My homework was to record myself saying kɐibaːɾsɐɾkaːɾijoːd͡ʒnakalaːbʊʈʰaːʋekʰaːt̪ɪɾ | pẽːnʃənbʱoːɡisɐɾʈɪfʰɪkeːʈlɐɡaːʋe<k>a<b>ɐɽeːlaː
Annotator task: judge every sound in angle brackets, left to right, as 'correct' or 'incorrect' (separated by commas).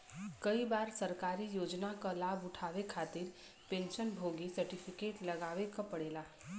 correct, incorrect